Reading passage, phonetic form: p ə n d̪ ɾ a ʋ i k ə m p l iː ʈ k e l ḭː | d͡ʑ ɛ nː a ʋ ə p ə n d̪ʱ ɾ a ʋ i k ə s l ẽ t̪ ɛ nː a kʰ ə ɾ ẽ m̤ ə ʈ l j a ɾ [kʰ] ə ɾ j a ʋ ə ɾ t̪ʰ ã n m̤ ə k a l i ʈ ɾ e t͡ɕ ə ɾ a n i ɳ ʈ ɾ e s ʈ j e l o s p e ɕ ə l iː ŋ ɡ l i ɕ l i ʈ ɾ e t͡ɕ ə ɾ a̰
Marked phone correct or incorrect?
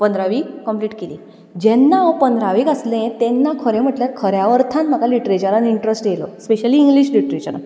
correct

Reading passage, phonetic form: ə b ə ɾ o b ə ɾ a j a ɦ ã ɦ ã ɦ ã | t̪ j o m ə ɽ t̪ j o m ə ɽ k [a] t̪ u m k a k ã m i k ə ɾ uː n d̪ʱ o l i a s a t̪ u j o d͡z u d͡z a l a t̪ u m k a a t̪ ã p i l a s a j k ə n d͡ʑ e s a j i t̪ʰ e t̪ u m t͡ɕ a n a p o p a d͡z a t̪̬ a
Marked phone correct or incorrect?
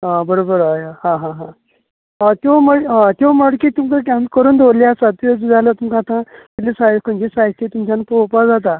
incorrect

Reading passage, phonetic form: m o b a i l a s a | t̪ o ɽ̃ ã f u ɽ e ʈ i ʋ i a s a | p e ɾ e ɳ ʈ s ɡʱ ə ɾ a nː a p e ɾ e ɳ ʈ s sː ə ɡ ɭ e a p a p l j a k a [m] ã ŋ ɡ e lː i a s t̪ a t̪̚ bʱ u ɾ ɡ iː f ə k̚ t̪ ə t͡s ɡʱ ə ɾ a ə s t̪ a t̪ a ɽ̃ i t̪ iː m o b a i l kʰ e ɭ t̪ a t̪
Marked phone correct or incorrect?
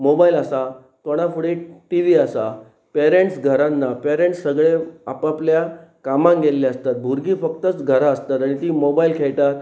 correct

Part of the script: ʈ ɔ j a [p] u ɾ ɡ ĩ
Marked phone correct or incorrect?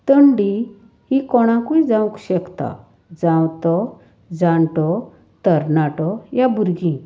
incorrect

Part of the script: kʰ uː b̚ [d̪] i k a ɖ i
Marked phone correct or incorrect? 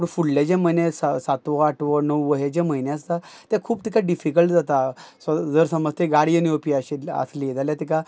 incorrect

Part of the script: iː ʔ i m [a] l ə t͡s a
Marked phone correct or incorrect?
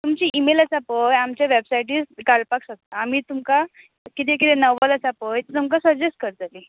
incorrect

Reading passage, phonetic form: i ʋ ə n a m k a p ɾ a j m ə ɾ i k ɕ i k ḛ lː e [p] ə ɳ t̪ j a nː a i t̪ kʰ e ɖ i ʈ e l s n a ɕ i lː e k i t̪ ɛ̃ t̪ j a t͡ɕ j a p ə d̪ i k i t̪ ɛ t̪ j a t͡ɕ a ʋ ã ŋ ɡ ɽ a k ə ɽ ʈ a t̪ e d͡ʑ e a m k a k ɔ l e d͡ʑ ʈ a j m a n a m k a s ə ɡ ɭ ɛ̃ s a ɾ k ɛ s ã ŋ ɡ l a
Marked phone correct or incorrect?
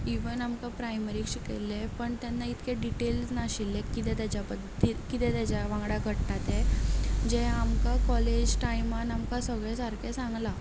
correct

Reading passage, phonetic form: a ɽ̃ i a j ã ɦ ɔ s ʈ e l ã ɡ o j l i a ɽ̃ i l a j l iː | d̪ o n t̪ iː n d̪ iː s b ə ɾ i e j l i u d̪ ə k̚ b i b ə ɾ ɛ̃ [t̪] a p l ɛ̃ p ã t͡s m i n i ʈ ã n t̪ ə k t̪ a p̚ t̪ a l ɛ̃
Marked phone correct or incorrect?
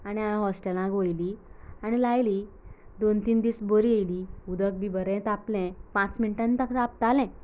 correct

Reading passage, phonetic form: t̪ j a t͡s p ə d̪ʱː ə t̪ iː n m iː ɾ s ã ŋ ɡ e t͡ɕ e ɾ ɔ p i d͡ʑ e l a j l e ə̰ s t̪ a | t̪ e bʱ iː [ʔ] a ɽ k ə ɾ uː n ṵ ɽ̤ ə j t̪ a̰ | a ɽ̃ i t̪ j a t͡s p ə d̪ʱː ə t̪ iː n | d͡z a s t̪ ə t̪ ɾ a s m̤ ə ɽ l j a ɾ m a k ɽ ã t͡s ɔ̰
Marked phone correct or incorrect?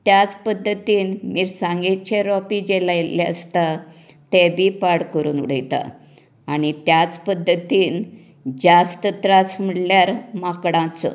incorrect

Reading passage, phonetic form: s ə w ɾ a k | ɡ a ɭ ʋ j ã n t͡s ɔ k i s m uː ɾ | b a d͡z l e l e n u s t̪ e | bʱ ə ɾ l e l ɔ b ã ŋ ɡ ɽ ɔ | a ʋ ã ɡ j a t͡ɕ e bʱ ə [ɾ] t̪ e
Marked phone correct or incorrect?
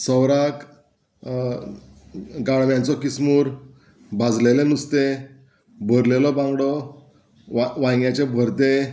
correct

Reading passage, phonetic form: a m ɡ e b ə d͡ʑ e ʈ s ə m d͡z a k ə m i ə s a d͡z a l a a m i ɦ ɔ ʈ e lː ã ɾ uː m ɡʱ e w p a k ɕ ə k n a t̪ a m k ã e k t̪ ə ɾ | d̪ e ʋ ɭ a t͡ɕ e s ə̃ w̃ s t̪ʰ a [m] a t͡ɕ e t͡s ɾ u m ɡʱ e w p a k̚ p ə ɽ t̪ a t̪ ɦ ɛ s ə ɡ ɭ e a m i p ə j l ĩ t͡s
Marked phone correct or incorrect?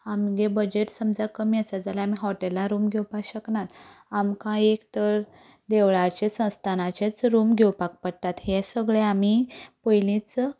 incorrect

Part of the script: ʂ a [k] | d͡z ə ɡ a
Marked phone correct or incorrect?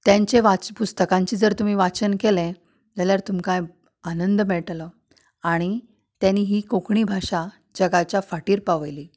incorrect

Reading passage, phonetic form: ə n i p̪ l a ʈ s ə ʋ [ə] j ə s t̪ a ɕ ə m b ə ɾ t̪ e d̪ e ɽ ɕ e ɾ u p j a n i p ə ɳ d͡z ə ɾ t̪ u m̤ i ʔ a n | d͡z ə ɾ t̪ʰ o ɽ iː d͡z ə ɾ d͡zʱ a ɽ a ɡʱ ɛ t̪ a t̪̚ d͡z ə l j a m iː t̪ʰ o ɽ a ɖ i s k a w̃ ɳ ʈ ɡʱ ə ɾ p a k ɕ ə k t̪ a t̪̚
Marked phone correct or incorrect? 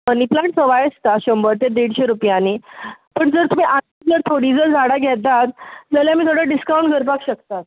incorrect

